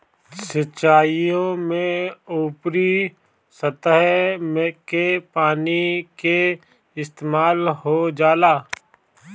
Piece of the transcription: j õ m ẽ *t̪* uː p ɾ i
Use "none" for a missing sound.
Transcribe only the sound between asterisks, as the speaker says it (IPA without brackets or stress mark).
none